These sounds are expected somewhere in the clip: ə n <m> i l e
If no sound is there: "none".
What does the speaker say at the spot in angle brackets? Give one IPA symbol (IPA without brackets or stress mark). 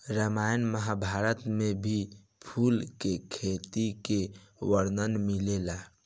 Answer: m